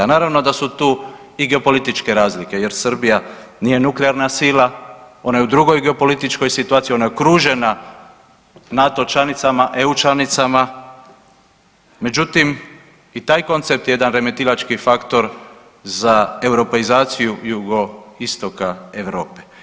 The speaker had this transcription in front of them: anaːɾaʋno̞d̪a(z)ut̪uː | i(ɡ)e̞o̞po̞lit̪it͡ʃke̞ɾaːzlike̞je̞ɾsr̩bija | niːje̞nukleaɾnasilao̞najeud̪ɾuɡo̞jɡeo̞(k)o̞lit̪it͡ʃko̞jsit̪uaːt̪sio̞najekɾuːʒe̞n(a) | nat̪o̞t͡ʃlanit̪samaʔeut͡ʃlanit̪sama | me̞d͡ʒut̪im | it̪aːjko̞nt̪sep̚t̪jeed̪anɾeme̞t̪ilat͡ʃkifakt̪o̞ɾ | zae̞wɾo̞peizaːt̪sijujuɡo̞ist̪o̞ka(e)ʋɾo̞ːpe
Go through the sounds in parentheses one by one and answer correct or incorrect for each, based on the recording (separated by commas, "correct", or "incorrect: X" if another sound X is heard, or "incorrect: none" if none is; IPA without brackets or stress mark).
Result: incorrect: s, correct, incorrect: p, correct, correct